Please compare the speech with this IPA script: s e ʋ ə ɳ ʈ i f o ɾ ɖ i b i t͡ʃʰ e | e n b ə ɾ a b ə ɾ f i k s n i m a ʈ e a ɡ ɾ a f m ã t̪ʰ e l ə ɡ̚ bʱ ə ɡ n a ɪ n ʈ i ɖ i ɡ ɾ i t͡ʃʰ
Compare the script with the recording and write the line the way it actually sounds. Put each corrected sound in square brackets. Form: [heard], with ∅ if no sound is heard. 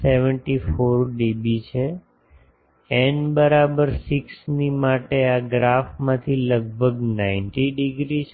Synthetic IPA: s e ʋ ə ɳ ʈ i f o ɾ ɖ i b i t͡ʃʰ e | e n b ə ɾ a b ə ɾ [s] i k s n i m a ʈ e a ɡ ɾ a f m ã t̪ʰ [i] l ə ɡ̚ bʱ ə ɡ n a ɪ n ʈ i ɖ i ɡ ɾ i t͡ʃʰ